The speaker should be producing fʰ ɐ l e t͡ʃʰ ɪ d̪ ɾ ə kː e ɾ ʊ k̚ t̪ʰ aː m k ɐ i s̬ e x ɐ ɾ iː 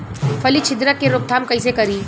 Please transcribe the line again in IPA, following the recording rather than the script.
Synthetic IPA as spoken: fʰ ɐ l i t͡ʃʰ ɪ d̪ ɾ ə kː e ɾ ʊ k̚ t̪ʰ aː m k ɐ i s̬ e k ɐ ɾ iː